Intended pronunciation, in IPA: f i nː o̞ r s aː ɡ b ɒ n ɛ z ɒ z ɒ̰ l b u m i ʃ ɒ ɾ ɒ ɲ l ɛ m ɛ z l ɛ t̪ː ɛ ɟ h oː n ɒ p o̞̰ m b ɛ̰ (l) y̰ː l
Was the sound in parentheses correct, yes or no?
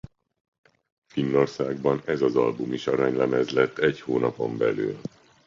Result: yes